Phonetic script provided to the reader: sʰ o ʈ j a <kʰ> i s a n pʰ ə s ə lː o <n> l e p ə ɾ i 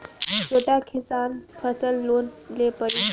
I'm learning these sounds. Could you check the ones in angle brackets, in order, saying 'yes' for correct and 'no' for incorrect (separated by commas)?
yes, yes